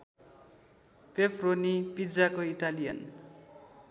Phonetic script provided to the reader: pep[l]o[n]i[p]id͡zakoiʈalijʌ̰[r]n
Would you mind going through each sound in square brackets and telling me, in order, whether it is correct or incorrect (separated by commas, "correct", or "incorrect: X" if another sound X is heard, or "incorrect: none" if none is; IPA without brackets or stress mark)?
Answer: incorrect: r, correct, correct, incorrect: none